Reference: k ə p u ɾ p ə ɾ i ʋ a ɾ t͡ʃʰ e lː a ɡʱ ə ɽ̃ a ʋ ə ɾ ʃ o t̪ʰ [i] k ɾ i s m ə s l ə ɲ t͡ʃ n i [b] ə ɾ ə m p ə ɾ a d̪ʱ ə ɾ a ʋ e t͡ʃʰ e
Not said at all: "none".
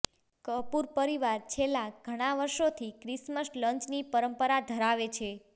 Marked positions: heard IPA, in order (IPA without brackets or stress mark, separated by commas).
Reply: i, p